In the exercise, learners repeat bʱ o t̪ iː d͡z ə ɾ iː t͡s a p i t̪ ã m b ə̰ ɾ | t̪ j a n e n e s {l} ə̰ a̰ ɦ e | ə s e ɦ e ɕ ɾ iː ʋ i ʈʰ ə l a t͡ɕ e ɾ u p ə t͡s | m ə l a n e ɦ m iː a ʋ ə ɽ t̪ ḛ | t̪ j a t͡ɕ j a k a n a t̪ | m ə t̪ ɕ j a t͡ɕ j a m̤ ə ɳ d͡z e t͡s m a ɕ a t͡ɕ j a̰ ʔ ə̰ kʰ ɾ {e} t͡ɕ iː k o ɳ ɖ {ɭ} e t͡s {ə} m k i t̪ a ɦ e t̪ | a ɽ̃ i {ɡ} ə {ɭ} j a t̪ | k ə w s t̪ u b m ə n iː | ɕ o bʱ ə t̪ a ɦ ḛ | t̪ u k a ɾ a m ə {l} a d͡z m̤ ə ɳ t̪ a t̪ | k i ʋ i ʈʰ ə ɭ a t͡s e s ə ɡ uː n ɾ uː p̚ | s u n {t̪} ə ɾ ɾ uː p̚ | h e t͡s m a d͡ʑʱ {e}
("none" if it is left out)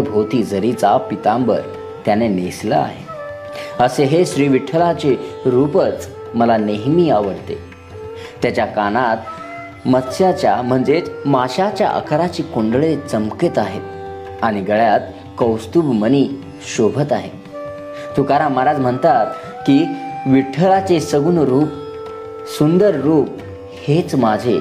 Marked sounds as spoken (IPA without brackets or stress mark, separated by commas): l, a, ɭ, ə, ɡ, ɭ, ɾ, d̪, e